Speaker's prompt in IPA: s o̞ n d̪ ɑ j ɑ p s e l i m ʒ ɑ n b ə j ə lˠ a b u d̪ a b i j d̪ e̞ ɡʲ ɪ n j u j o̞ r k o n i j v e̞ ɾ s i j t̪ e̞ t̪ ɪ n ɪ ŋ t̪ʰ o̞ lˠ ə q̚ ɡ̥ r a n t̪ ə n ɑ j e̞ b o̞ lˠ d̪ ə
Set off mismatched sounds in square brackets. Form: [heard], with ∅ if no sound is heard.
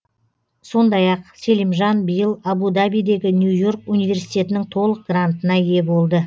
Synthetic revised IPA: s o̞ n d̪ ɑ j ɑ [q] s e l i m ʒ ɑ n b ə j ə lˠ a b u d̪ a b i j d̪ e̞ ɡʲ ɪ n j u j o̞ r k [u] n i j v e̞ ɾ s i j t̪ e̞ t̪ ɪ n ɪ ŋ t̪ʰ o̞ lˠ ə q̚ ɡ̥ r a n t̪ ə n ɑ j e̞ b o̞ lˠ d̪ ə